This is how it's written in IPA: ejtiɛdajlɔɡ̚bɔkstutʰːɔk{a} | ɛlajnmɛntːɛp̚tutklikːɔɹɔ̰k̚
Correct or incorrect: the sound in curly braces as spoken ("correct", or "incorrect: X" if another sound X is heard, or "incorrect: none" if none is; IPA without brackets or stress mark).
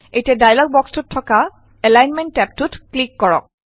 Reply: correct